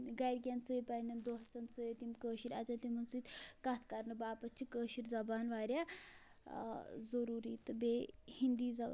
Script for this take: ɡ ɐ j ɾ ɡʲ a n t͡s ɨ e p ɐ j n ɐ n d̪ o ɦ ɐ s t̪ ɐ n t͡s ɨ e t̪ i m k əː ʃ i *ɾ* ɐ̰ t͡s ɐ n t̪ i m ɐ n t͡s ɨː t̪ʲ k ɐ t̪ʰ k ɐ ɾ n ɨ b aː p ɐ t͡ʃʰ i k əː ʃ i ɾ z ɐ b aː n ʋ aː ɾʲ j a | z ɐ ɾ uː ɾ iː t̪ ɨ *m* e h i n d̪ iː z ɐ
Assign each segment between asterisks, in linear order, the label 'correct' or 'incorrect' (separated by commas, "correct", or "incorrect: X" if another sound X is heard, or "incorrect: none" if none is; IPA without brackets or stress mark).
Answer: correct, incorrect: b